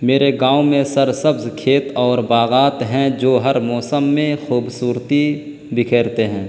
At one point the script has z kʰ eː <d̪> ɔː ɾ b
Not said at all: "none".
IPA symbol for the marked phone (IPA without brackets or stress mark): t̪